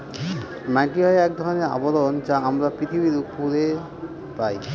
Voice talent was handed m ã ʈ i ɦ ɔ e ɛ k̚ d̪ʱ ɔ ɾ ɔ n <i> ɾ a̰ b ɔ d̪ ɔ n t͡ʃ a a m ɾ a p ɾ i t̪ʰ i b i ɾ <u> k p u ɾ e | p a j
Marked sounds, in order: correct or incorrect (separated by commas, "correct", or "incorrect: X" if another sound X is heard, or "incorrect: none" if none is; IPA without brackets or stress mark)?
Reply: incorrect: e, correct